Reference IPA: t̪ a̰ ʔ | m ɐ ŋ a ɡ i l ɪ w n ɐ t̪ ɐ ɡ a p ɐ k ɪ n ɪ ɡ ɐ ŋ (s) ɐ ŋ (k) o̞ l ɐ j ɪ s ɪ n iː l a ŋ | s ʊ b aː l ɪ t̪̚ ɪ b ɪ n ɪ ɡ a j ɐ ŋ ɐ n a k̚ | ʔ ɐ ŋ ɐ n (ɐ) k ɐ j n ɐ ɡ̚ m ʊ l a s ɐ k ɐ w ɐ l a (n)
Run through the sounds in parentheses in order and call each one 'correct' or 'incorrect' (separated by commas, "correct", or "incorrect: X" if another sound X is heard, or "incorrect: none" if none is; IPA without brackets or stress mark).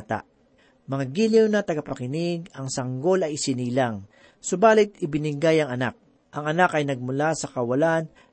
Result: correct, incorrect: ɡ, incorrect: a, correct